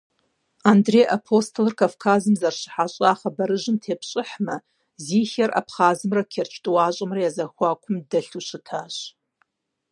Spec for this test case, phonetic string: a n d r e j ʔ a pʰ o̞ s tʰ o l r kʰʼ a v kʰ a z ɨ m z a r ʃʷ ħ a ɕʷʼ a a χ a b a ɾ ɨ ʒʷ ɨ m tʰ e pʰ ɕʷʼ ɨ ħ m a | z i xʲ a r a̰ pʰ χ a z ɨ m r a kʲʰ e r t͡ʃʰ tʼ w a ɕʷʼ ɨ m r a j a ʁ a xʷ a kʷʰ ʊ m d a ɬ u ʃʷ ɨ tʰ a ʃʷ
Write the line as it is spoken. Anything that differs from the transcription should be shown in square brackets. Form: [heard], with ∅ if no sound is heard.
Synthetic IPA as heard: a n d r e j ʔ a pʰ o̞ s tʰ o l r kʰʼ a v kʰ a z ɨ m z a r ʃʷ ħ a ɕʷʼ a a χ a b a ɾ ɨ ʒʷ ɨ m tʰ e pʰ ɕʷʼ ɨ ħ m a | z i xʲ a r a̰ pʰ χ a z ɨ m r a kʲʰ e r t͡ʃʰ tʼ w a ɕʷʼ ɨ m r a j a [z] a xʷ a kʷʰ ʊ m d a ɬ u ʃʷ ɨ tʰ a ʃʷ